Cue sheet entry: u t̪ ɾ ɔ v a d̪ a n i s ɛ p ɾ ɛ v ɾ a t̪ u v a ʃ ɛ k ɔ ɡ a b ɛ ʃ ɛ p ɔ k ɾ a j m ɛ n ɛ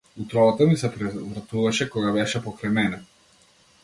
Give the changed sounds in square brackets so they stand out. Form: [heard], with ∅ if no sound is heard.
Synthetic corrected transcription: u t̪ ɾ ɔ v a [t̪] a [m] i s ɛ p ɾ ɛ v ɾ a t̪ u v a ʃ ɛ k ɔ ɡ a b ɛ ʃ ɛ p ɔ k ɾ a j m ɛ n ɛ